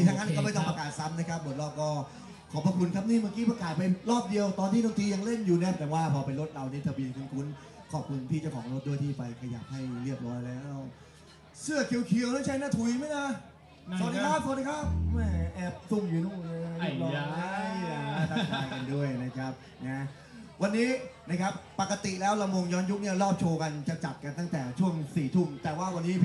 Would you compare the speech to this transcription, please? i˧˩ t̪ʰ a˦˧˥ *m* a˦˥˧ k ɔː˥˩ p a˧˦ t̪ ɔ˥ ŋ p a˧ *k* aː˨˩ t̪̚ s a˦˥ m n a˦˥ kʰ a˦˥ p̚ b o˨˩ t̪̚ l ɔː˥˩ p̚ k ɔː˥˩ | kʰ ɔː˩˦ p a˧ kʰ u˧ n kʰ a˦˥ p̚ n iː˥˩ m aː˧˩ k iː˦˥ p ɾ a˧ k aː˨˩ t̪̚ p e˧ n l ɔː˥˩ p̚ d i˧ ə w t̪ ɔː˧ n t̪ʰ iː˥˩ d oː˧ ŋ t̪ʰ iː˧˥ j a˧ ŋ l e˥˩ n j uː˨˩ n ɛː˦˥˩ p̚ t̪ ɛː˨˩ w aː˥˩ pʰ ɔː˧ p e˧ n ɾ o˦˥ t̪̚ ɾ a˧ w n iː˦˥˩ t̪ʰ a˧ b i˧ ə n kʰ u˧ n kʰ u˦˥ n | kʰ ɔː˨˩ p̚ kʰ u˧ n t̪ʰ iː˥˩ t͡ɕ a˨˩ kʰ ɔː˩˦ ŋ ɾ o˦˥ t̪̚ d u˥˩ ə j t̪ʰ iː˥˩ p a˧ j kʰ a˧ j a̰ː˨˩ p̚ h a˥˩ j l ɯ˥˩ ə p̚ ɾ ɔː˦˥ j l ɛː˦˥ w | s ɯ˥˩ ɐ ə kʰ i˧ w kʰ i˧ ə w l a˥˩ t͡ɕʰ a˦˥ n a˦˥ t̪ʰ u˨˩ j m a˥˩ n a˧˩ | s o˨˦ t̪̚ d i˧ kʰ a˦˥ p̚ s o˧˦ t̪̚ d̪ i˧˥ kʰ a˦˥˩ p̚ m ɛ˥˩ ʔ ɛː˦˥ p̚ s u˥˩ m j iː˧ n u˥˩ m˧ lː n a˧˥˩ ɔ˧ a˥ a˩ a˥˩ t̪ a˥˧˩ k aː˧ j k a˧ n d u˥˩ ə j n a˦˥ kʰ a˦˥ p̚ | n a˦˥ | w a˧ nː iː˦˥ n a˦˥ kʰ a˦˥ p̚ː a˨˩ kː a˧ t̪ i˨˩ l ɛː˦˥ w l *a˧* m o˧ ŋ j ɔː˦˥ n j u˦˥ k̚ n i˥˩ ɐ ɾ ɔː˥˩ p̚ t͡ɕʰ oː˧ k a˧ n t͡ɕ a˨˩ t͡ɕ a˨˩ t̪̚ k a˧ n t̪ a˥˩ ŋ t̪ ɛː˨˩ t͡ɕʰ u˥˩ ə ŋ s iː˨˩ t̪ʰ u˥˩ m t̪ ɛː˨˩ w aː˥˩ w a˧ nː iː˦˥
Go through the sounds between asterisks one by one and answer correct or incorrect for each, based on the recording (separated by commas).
incorrect, correct, correct